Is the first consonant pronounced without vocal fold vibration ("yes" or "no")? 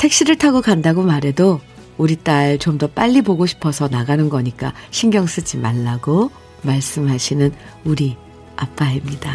yes